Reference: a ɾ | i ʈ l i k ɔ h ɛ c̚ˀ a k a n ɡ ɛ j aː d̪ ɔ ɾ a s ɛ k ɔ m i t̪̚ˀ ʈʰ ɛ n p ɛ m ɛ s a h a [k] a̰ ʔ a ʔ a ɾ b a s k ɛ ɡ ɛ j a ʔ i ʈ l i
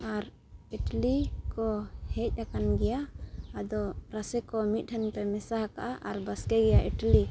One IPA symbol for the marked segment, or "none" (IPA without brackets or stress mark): k